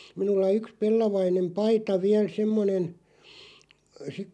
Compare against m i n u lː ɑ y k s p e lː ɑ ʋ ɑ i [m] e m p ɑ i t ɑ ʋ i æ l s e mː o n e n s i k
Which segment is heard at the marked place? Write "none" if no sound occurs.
n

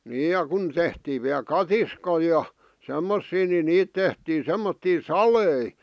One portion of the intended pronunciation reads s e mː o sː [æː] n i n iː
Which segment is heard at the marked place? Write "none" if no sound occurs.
iː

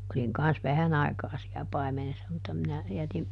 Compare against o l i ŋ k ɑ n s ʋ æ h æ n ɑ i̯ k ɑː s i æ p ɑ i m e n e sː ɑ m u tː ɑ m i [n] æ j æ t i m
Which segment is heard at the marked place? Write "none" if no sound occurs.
n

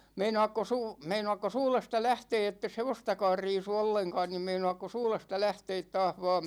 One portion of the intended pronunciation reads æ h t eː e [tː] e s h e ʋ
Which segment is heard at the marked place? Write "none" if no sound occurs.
tː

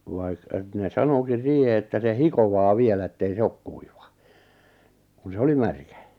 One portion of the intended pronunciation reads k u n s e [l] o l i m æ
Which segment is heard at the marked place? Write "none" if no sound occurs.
none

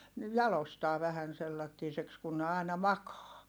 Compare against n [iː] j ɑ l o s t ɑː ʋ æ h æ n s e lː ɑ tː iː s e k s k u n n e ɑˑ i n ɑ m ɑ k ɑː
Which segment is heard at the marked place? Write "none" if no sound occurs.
i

